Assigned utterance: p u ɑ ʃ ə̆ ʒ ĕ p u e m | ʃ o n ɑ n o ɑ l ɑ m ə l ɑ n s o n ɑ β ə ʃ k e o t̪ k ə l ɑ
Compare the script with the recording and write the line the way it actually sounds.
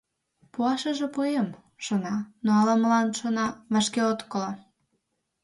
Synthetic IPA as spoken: p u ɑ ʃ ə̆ ʒ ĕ p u e m | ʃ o n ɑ n o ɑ l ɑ m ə l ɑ n ʃ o n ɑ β ɑ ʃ k e o t̪ k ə l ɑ